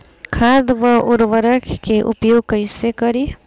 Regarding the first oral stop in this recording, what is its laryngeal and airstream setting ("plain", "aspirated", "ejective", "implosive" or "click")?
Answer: aspirated